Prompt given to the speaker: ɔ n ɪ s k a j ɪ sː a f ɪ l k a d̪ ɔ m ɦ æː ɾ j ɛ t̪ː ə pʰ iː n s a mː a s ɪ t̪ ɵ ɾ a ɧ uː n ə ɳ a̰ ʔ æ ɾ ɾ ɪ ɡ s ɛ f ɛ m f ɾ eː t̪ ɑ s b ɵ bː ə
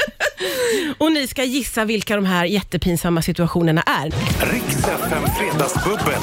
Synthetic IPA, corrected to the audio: ɔ n ɪ s k a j ɪ sː a v ɪ l k a d̪ ɔ m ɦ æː ɾ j ɛ t̪ː ə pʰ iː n s a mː a s ɪ t̪ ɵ a ɧ uː n ə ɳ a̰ ʔ æ ɾ ɾ ɪ k s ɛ f ɛ m f ɾ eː d̪ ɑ s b ɵ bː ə